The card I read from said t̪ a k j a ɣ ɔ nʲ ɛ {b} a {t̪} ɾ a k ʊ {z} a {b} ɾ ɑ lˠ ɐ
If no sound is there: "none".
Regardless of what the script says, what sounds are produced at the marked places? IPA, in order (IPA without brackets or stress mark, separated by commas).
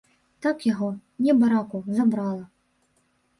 b, none, z, b